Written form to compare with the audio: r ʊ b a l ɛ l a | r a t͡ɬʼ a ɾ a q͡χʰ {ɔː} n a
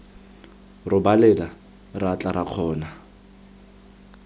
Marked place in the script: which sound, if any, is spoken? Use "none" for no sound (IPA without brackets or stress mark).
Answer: ɔː